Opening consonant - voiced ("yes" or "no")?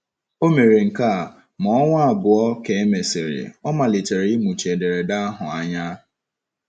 yes